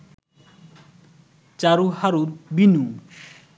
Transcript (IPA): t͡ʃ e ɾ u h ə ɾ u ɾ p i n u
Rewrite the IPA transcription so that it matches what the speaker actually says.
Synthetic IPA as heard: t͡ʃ a ɾ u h a ɾ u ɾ b i n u